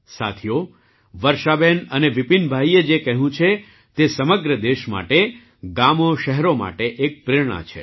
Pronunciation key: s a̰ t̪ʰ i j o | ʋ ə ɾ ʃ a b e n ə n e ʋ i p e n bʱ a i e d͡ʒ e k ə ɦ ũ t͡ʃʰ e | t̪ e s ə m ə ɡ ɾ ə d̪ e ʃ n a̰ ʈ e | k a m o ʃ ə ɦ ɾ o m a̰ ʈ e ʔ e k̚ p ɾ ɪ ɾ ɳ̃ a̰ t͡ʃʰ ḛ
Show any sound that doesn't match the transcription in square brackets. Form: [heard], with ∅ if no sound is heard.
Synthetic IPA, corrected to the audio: s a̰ t̪ʰ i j o | ʋ ə ɾ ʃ a b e n ə n e ʋ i p [i] n bʱ a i e d͡ʒ e k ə ɦ ũ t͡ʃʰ e | t̪ e s ə m ə ɡ ɾ ə d̪ e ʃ [m] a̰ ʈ e | [ɡ] a m o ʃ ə ɦ ɾ o m a̰ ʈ e ʔ e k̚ p ɾ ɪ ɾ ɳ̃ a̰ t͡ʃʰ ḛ